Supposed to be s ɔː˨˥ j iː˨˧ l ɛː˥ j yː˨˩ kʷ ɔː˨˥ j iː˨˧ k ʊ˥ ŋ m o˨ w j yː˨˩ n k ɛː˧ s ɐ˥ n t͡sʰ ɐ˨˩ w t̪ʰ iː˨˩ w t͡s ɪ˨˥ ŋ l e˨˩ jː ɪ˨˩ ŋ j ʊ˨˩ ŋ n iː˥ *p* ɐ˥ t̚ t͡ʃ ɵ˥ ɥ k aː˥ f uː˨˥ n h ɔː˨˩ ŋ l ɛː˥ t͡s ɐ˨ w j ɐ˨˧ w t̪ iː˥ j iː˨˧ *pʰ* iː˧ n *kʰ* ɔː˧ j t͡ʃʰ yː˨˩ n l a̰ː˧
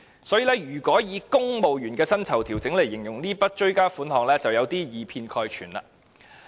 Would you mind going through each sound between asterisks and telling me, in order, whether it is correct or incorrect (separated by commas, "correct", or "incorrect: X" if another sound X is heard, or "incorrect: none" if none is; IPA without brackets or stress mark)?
correct, correct, correct